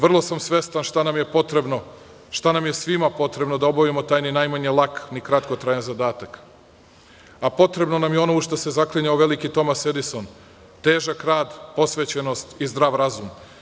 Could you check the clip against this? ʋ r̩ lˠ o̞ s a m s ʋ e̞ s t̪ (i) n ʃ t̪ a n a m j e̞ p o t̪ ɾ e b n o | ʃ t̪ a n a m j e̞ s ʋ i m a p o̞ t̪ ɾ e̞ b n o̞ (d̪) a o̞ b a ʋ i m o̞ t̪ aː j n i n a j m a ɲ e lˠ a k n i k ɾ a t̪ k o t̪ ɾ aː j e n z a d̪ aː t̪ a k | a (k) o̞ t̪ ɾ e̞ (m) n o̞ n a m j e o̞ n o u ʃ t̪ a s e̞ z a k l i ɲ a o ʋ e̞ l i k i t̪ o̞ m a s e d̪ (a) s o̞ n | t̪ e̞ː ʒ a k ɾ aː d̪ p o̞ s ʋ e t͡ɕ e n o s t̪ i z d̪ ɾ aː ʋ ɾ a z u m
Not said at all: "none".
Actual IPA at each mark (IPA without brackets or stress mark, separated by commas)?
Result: a, d̪, p, b, i